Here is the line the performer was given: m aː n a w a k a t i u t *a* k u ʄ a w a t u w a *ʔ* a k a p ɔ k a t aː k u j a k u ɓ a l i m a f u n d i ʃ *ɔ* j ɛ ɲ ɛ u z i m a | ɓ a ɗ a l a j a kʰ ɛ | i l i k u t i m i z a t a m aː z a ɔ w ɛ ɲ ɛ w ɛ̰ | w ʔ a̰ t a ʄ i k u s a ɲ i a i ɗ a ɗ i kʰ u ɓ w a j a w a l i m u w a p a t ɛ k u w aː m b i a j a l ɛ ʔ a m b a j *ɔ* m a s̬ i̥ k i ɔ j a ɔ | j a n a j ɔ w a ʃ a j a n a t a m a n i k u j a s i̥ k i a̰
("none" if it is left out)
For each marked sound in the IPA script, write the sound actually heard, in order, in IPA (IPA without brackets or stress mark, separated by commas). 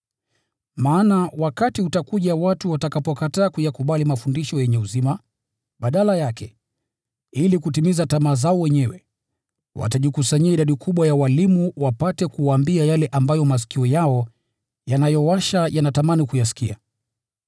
a, t, ɔ, ɔ